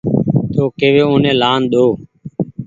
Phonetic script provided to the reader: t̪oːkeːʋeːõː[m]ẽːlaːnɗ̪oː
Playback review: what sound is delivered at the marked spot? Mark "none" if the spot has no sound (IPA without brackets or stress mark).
n